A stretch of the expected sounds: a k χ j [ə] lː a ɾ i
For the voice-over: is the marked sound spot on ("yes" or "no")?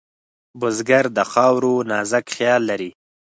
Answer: no